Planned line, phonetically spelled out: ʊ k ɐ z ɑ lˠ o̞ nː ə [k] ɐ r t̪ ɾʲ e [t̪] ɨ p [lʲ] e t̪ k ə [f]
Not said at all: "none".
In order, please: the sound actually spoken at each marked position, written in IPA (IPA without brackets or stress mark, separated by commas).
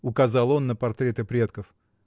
p, t̪, ɾʲ, f